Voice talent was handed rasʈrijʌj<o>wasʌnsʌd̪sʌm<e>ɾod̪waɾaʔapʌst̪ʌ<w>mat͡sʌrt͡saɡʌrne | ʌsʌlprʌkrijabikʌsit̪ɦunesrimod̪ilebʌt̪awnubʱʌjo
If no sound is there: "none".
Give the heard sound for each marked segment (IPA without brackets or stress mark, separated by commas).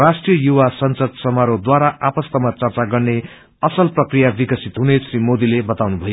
u, a, none